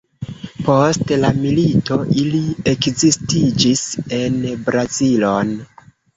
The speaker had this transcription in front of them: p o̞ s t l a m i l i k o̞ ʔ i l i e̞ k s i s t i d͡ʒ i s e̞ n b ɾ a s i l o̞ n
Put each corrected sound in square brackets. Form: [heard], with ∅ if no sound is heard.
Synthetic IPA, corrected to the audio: p o̞ s t l a m i l i [t] o̞ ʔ i l i e̞ k [z] i s t i d͡ʒ i s e̞ n b ɾ a [z] i l o̞ n